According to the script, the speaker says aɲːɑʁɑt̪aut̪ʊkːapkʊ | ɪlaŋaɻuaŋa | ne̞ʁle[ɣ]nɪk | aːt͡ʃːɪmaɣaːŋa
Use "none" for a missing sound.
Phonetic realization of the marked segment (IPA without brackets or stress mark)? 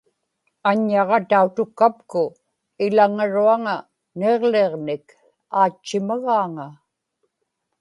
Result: ʁ